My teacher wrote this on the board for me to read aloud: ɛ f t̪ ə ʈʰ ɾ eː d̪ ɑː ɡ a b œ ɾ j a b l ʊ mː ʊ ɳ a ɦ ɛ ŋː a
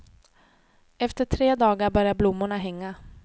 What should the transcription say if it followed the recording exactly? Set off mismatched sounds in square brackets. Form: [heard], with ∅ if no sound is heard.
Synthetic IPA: ɛ f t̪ ə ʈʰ ɾ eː d̪ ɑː ɡ a b œ ɾ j a b l ʊ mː ʊ ɳ a ɦ ɛ ŋː a